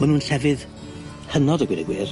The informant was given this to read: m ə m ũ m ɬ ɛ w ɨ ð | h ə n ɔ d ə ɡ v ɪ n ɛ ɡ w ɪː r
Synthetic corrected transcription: m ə n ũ n ɬ ɛ v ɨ ð | h ə n ɔ d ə ɡ w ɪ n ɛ ɡ w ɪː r